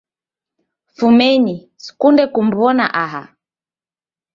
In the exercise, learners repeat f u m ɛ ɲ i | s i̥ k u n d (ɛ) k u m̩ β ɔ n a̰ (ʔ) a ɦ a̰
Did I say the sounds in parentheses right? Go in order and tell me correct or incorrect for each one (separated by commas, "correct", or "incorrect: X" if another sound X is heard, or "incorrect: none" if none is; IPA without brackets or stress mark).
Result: correct, correct